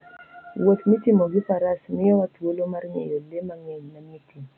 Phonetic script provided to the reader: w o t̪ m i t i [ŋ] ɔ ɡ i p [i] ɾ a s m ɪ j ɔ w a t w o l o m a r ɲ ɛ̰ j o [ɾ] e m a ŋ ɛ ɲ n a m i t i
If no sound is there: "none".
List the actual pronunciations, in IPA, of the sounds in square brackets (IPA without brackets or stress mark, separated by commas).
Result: m, a, l